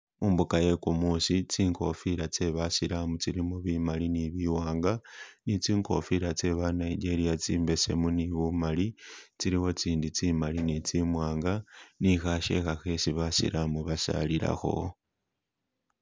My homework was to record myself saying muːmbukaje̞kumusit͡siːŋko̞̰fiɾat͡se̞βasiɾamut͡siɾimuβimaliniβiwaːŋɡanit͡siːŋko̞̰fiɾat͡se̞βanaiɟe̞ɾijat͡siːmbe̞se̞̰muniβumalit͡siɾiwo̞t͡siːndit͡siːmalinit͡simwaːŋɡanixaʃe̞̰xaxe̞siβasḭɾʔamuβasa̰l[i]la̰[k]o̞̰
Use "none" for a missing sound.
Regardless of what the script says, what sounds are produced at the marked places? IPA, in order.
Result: i, x

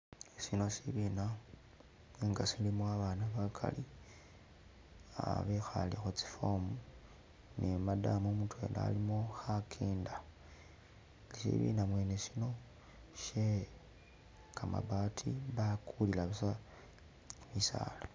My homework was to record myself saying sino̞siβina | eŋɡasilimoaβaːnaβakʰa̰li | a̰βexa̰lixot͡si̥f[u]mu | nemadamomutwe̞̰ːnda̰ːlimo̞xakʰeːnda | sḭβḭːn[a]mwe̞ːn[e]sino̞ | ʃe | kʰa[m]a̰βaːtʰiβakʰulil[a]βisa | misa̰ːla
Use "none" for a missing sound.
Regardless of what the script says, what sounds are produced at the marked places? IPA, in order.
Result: o, a, e, m, a

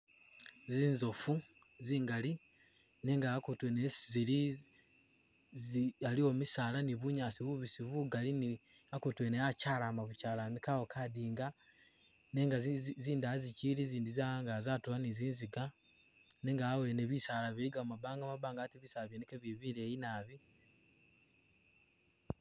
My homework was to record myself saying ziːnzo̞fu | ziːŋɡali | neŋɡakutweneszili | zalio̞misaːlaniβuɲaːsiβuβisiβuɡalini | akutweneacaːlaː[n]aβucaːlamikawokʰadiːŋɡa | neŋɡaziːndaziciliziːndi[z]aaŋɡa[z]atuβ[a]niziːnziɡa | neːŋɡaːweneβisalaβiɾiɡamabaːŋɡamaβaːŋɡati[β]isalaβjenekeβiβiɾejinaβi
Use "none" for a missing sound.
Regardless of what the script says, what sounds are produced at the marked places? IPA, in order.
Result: m, z, z, a, β

